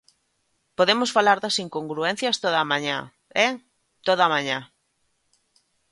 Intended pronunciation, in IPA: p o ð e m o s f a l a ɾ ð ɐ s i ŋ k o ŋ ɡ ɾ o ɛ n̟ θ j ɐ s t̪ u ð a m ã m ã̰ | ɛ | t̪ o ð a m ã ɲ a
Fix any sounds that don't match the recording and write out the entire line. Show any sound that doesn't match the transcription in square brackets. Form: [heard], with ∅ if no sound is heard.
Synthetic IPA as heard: p o ð e m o s f a l a ɾ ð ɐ s i ŋ k o ŋ ɡ ɾ [u] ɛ n̟ θ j ɐ s t̪ [o] ð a m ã [ɲ] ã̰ | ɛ | t̪ o ð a m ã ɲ a